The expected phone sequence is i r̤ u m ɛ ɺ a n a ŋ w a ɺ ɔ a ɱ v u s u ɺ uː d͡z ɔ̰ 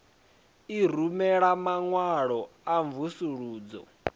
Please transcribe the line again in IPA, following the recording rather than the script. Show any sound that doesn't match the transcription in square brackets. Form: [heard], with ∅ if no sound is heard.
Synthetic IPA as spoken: i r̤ u m ɛ ɺ a [m] a ŋ w a ɺ ɔ a ɱ v u s u ɺ uː d͡z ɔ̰